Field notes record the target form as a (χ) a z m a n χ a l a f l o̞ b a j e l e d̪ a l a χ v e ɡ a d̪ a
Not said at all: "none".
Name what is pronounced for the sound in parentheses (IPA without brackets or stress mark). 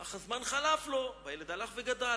χ